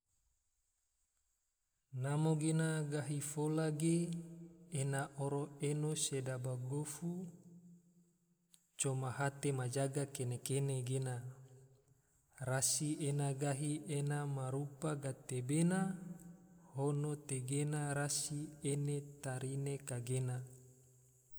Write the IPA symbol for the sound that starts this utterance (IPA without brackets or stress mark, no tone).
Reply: n